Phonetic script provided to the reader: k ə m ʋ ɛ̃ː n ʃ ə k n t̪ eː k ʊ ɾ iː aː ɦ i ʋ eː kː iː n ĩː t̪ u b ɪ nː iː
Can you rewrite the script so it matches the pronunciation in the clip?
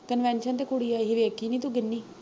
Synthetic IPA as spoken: k ə n ʋ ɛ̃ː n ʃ ə n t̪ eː k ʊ ɽ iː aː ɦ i ʋ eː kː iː n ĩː t̪ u ɡ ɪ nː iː